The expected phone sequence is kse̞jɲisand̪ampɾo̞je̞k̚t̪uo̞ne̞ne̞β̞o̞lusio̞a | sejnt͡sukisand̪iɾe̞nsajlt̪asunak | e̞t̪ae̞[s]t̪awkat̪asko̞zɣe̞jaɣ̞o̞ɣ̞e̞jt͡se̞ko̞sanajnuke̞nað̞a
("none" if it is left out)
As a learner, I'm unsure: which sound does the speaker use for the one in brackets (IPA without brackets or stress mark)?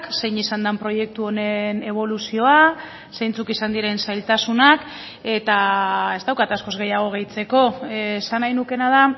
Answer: z